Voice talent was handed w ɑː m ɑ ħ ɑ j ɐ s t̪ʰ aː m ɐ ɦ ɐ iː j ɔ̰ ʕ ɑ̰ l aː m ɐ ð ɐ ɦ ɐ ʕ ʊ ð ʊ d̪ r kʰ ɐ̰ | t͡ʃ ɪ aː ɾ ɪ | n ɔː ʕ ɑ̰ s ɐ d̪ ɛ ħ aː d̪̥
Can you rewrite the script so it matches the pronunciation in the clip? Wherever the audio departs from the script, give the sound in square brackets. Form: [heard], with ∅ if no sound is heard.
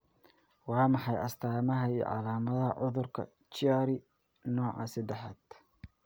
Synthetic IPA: w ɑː m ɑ ħ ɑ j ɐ s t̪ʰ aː m ɐ ɦ ɐ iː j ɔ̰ ʕ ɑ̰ l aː m ɐ ð ɐ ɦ ɐ ʕ ʊ ð ʊ [∅] r kʰ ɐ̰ | t͡ʃ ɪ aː ɾ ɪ | n ɔː ʕ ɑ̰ s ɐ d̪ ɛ ħ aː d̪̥